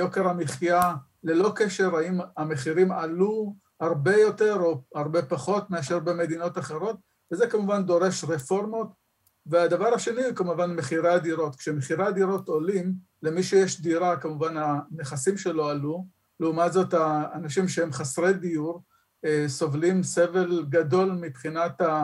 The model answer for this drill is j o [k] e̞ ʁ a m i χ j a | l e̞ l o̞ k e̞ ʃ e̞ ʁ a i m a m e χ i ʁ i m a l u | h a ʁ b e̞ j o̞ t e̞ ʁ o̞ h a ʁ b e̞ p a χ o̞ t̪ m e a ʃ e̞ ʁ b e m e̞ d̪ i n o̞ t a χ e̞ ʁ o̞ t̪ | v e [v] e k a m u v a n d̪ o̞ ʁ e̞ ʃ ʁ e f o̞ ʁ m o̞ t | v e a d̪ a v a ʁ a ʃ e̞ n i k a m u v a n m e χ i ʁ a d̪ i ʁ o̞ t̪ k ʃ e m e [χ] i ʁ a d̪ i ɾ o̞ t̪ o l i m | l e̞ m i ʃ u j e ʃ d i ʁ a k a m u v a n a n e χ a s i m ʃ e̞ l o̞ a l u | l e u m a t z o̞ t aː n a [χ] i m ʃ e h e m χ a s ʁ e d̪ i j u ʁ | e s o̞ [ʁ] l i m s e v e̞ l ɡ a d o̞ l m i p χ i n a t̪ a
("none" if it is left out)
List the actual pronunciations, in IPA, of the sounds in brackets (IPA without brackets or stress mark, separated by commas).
k, z, χ, ʃ, v